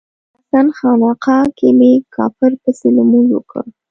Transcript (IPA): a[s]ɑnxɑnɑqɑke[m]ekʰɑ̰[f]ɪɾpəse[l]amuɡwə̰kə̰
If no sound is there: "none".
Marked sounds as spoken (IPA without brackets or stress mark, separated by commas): s, m, f, l